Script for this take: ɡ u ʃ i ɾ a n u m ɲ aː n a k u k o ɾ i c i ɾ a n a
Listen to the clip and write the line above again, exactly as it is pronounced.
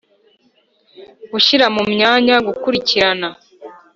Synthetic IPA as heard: ɡ u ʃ i ɾ a m u m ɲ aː ɲ a ɡ u k u ɾ i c i ɾ a n a